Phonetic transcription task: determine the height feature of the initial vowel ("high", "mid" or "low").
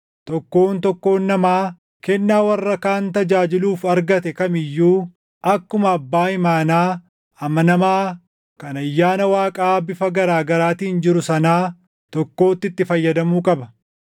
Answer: mid